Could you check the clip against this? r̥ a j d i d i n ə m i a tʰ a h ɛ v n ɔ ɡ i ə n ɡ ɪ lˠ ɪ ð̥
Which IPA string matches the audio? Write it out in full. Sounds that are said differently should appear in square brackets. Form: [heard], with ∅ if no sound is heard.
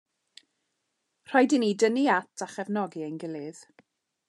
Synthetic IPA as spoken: r̥ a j d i [n] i [d] ə [n] i a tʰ a [χ] ɛ v n ɔ ɡ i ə n ɡ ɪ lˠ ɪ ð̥